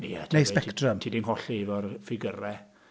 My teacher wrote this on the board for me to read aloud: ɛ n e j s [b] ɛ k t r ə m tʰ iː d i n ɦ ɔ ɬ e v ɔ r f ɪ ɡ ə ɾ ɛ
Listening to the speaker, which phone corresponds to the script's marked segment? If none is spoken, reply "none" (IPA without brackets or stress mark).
p